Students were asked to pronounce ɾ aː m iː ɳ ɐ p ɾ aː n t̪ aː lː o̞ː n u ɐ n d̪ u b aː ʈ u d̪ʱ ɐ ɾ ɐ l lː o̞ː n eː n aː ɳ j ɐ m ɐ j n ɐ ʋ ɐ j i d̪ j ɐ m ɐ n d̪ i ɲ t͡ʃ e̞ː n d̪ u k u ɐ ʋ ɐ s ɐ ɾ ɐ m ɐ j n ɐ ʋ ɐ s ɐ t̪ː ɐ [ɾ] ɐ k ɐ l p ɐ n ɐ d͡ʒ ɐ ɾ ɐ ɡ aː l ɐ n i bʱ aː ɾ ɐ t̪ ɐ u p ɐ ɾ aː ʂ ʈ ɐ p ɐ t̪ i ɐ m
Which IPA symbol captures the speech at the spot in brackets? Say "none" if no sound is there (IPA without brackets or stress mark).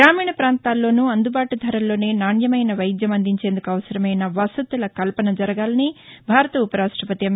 l